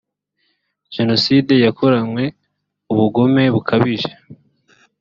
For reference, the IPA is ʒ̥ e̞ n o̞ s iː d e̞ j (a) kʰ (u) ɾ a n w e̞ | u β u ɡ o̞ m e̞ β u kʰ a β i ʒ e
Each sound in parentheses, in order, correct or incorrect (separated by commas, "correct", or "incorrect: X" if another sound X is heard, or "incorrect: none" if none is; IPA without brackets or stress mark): correct, incorrect: o